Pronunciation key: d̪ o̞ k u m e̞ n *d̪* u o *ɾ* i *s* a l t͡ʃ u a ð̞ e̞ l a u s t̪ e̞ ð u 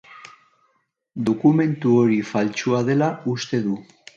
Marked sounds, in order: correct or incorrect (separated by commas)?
incorrect, correct, incorrect